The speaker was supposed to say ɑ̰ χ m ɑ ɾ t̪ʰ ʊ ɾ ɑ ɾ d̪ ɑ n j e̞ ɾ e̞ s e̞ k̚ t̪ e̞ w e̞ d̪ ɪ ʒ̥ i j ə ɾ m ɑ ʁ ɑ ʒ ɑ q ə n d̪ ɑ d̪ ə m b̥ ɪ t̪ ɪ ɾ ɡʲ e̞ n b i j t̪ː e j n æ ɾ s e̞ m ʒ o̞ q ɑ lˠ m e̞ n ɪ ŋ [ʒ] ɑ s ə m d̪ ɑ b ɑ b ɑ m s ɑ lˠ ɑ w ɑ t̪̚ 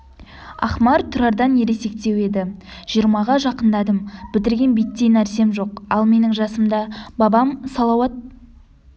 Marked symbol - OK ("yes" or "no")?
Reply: yes